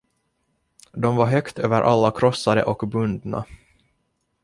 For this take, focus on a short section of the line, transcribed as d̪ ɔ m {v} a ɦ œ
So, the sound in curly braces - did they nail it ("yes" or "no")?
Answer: yes